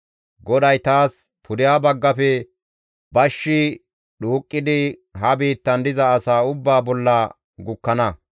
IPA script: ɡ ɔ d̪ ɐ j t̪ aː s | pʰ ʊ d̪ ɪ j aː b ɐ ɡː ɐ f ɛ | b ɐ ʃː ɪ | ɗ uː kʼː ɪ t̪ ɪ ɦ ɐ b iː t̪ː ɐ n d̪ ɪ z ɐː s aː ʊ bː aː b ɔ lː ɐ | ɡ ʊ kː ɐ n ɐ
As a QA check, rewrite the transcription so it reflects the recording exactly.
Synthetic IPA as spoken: ɡ ɔ d̪ ɐ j t̪ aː s | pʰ ʊ d̪ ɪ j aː b ɐ ɡː ɐ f ɛ | b ɐ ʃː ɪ | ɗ uː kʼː ɪ d̪ ɪ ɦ ɐ b iː t̪ː ɐ n d̪ ɪ z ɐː s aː ʊ bː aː b ɔ lː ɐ | ɡ ʊ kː ɐ n ɐ

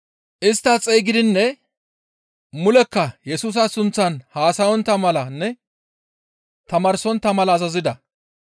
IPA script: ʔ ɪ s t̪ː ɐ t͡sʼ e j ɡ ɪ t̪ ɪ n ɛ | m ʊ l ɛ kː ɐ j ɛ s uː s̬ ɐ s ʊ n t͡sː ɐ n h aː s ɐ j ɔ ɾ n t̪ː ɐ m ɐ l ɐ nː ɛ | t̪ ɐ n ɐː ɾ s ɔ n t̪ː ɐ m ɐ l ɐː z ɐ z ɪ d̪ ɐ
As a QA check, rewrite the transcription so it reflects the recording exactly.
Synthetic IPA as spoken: ʔ ɪ s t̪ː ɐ t͡sʼ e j ɡ ɪ d̪ ɪ nː ɛ | m ʊ l ɛ kː ɐ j ɛ s uː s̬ ɐ s ʊ n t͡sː ɐ n h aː s ɐ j ɔ n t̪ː ɐ m ɐ l ɐ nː ɛ | t̪ ɐ m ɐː ɾ s ɔ n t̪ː ɐ m ɐ l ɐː z ɐ z ɪ d̪ ɐ

